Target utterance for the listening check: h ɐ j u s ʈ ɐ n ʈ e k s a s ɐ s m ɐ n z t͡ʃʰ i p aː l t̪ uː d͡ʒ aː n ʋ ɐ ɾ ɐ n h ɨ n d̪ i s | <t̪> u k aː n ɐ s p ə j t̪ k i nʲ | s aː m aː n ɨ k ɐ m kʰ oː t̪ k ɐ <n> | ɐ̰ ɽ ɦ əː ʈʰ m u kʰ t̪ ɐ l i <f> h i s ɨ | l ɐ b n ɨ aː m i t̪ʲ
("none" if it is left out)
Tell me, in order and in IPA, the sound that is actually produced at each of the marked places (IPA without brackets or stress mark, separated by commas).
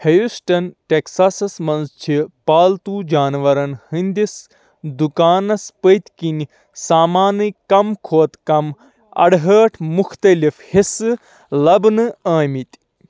d̪, m, f